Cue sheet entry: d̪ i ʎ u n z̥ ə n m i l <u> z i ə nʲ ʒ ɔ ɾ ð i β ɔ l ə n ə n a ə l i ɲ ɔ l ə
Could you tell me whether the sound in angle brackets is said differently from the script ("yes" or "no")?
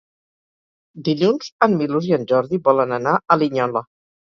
no